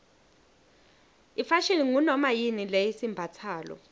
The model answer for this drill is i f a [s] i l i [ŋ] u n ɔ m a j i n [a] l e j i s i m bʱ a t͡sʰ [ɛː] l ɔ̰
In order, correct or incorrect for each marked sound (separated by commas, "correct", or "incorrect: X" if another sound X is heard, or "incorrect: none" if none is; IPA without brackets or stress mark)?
incorrect: ʃ, correct, incorrect: i, incorrect: aː